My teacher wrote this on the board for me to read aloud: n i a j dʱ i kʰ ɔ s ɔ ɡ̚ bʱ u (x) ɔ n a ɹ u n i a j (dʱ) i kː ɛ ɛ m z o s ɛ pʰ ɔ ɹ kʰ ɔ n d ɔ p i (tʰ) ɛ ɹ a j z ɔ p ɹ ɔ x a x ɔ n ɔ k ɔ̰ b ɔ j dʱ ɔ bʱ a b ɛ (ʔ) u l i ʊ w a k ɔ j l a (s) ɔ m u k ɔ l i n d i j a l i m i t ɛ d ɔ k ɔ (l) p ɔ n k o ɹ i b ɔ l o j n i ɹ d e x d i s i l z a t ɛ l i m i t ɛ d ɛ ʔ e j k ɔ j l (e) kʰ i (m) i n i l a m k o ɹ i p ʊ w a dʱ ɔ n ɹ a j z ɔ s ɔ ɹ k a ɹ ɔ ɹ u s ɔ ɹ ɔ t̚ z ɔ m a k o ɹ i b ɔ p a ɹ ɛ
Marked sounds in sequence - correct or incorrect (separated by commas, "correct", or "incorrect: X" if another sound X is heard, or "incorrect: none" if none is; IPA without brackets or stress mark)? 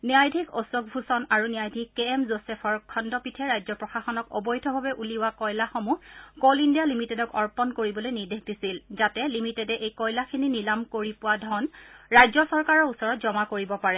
incorrect: s, correct, correct, correct, incorrect: x, incorrect: ɹ, incorrect: a, incorrect: n